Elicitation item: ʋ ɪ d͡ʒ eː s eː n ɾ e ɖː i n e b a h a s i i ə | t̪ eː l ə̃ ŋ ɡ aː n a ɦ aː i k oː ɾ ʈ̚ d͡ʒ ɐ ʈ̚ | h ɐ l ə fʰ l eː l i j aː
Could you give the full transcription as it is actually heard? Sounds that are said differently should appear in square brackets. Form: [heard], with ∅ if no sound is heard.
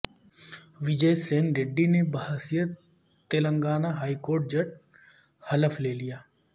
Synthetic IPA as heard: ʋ ɪ d͡ʒ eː s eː n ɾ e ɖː i n e b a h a s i [j] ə | t̪ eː l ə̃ ŋ ɡ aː n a ɦ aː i k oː ɾ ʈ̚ d͡ʒ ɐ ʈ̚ | h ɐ l ə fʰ l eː l i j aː